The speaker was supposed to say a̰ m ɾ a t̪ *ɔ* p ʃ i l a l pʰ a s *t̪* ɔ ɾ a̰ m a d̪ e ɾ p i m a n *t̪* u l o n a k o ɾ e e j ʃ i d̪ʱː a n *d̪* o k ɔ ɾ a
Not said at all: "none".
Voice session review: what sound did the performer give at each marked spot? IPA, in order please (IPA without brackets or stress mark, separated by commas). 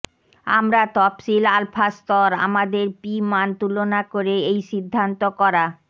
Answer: ɔ, t̪, t̪, t̪